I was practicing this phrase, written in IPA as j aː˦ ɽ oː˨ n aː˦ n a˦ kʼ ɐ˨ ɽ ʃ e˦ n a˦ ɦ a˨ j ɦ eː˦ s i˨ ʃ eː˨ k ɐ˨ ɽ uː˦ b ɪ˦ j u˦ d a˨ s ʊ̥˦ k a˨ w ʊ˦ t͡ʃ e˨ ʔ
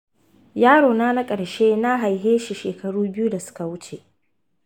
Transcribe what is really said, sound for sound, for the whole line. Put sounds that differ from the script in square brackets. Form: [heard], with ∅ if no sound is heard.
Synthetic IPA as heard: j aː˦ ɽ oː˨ n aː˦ n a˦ kʼ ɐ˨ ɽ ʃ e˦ n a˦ ɦ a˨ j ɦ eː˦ [ʃ] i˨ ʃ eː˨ k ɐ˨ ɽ uː˦ b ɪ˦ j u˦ d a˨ s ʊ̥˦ k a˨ w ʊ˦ t͡ʃ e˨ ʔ